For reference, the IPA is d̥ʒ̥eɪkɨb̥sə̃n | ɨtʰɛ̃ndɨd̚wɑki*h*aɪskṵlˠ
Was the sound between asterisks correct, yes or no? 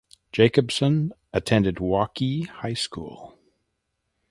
yes